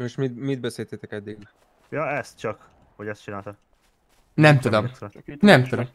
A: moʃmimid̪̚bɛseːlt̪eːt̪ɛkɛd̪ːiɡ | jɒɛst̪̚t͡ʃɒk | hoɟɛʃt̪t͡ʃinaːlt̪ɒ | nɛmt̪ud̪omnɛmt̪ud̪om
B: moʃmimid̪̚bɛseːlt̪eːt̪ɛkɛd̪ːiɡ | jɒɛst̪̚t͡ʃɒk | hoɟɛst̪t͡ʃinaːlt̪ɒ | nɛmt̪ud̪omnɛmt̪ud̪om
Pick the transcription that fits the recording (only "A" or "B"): B